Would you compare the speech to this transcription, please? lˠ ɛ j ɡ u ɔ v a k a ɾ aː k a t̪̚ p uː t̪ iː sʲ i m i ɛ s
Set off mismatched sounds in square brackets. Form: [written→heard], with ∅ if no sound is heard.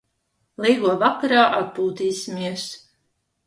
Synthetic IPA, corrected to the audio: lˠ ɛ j ɡ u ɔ v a k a ɾ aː [k→ʔ] a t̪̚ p uː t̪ iː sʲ i m i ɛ s

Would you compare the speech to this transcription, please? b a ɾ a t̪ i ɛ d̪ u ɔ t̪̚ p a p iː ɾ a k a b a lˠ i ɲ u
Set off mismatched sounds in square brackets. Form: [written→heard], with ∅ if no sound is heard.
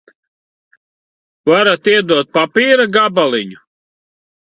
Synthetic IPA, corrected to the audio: [b→v] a ɾ a t̪ i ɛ d̪ u ɔ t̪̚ p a p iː ɾ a [k→ɡ] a b a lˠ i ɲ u

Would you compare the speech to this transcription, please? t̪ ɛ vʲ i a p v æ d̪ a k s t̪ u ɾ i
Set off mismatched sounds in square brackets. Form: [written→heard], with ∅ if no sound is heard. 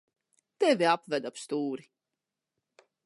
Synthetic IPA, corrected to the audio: t̪ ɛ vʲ i a p v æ d̪ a [k→p] s t̪ [u→uː] ɾ i

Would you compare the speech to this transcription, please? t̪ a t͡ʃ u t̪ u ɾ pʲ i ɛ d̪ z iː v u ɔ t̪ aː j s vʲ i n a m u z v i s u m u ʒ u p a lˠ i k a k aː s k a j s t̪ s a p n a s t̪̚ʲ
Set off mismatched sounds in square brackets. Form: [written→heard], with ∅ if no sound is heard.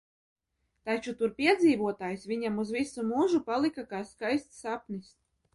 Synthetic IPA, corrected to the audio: t̪ a t͡ʃ u t̪ u ɾ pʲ i ɛ d̪ z iː v u ɔ t̪ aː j s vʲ i [n→ɲ] a m u z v i s u m u ʒ u p a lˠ i k a k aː s k a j s t̪ s a p n [a→i] s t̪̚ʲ

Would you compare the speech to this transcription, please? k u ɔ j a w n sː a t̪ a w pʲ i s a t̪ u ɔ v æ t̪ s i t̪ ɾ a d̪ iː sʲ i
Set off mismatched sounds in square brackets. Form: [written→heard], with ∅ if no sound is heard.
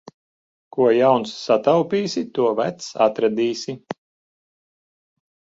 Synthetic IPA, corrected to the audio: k u ɔ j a w n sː a t̪ a w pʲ [i→iː] s [a→i] t̪ u ɔ v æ t̪ s [i→a] t̪ ɾ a d̪ iː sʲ i

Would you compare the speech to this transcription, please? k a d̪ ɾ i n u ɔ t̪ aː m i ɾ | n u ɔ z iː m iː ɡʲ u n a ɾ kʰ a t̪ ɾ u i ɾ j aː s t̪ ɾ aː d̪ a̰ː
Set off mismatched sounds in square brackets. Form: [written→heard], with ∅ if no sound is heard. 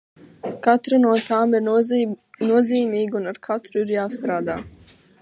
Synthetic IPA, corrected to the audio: k a [d̪→t̪] ɾ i n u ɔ t̪ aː m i ɾ | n u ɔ z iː m iː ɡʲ u n a ɾ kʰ a t̪ ɾ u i ɾ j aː s t̪ ɾ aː d̪ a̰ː

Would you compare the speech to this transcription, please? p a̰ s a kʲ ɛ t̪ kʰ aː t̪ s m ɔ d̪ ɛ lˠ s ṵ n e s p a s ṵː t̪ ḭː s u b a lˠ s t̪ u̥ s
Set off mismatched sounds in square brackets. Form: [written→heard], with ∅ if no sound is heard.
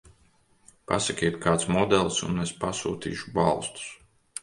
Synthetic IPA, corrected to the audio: p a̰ s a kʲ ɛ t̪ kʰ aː t̪ s m ɔ d̪ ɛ lˠ s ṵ n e s p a s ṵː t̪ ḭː [s→ʃ] u b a lˠ s t̪ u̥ s

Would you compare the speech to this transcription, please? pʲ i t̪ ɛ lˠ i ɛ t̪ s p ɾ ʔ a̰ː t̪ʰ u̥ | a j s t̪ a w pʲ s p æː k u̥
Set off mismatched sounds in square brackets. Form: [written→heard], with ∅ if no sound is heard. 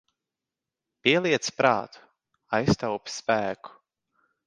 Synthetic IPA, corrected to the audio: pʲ i [t̪→∅] ɛ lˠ i ɛ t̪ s p ɾ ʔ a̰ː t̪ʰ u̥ | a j s t̪ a w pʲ s p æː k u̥

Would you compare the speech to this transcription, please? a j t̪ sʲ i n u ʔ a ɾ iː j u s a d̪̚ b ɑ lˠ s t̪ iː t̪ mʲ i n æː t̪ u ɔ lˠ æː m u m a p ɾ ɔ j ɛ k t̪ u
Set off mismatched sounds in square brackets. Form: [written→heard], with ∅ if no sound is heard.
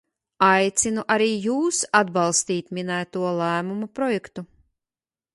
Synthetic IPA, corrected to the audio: a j t̪ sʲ i n u ʔ a ɾ iː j [u→uː] s a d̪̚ b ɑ lˠ s t̪ iː t̪ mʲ i n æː t̪ u ɔ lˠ æː m u m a p ɾ ɔ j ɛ k t̪ u

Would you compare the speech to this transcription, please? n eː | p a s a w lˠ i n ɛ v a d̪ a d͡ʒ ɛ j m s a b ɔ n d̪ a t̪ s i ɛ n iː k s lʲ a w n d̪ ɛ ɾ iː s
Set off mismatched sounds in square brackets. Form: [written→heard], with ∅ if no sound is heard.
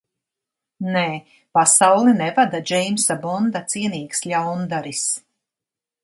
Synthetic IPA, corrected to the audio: n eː | p a s a w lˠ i n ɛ v a d̪ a d͡ʒ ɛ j m s a b ɔ n d̪ a t̪ s i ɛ n iː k s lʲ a w n d̪ [ɛ→a] ɾ [iː→i] s

